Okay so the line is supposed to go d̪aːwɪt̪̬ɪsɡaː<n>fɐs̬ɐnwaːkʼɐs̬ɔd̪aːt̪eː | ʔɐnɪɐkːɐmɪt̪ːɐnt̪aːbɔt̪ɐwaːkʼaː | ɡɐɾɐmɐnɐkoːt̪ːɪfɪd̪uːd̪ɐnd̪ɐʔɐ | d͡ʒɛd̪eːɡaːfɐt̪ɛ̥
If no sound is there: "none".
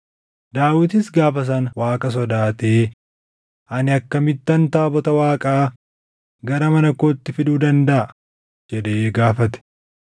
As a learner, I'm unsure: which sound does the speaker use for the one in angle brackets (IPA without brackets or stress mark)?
none